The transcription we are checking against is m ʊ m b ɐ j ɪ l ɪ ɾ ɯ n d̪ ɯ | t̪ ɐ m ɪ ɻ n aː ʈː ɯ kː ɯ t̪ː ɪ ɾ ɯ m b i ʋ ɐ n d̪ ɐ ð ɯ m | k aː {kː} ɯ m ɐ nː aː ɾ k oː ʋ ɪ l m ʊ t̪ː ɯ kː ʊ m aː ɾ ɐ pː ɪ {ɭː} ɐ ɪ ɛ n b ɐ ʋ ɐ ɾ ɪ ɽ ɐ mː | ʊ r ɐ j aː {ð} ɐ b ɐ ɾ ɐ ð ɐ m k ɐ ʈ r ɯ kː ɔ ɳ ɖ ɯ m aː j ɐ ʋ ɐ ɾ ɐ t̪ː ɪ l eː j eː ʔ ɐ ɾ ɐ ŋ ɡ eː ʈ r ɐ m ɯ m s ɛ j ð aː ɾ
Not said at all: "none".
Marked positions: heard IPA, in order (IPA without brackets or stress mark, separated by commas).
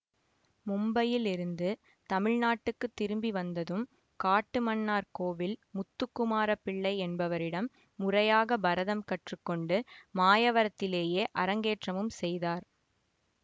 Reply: ʈː, ɭː, ɣ